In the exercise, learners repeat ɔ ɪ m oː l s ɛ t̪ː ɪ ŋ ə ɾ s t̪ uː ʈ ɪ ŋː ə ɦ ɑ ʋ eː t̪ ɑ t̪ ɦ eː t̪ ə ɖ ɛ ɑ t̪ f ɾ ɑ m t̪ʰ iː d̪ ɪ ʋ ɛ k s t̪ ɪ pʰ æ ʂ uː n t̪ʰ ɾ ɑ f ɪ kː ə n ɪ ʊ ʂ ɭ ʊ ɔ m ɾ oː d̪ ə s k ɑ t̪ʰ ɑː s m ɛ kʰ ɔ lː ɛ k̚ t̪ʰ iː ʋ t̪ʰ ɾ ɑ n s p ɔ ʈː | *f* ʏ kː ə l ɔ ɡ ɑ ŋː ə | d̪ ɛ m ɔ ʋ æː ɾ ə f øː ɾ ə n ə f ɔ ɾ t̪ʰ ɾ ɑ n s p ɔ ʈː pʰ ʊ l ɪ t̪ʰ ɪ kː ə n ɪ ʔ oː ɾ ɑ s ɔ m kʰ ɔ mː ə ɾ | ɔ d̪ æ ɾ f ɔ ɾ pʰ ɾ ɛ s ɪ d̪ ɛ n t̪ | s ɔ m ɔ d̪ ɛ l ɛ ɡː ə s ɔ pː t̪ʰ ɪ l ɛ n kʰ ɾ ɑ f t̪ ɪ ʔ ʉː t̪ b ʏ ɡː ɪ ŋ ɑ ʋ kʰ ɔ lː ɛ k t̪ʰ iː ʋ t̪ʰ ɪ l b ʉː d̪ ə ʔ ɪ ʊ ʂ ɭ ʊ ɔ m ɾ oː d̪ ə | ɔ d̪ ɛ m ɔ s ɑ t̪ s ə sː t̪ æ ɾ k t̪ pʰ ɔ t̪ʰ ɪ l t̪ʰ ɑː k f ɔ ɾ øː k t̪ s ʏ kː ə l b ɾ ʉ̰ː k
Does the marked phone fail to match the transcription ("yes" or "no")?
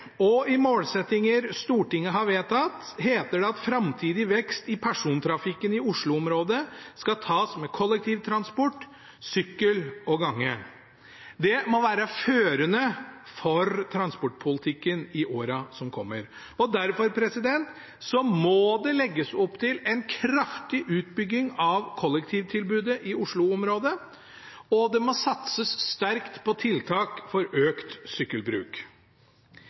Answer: yes